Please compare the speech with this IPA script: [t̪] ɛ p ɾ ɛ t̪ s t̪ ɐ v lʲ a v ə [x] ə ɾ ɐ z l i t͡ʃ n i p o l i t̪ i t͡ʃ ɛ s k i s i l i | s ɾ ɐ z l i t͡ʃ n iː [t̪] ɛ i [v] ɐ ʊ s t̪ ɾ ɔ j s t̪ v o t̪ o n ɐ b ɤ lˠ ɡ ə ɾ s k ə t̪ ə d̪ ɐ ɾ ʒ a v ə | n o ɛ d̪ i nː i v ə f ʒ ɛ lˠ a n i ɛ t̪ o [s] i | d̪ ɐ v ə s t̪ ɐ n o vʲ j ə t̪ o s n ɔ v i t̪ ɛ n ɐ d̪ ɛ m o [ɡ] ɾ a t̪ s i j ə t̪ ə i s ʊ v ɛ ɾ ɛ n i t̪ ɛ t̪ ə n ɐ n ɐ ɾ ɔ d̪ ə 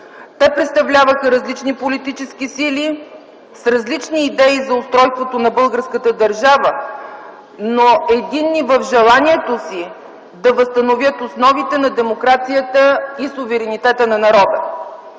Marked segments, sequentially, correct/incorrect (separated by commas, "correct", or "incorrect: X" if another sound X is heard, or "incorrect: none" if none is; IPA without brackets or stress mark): correct, correct, incorrect: d̪, incorrect: z, correct, incorrect: k